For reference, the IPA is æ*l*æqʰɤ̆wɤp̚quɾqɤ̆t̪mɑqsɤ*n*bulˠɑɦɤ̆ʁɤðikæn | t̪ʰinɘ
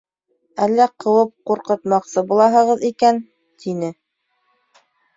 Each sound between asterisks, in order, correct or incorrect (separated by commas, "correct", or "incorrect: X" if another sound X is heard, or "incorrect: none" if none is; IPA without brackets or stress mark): incorrect: lː, incorrect: none